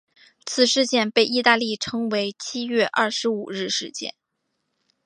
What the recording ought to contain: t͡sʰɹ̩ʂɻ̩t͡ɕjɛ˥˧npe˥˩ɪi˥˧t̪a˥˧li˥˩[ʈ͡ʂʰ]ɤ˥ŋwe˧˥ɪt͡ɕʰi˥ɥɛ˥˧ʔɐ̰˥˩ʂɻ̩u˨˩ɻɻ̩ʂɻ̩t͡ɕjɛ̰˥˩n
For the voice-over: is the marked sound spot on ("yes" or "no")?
yes